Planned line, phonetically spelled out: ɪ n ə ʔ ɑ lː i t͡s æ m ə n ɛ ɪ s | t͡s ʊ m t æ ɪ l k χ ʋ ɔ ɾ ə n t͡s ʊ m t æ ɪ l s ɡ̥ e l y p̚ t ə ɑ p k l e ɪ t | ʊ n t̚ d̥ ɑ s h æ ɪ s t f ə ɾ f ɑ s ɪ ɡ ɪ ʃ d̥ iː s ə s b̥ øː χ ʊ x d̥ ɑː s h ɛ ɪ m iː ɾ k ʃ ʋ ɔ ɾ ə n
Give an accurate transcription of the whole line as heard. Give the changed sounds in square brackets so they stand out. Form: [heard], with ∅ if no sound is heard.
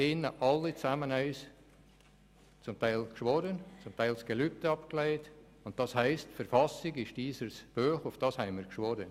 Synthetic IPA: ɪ n ə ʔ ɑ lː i t͡s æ m ə n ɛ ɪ s | t͡s ʊ m t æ ɪ l k [ʃ] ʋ ɔ ɾ ə n t͡s ʊ m t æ ɪ l s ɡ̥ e l y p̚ t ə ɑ p k l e ɪ t | ʊ n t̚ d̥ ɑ s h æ ɪ s t f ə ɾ f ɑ s ɪ ɡ ɪ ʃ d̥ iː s ə s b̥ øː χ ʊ [f] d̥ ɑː s h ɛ ɪ m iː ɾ k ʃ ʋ ɔ ɾ ə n